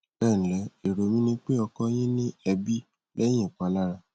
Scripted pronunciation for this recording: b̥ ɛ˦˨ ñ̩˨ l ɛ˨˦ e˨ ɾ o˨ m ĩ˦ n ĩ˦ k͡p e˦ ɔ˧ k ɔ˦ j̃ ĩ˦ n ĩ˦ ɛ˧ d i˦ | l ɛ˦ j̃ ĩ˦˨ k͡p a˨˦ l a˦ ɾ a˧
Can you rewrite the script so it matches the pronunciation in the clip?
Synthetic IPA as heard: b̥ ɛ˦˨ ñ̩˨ l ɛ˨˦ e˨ ɾ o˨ m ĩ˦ n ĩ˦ k͡p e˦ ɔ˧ k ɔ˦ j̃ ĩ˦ n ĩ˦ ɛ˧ b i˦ | l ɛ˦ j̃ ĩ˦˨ k͡p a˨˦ l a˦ ɾ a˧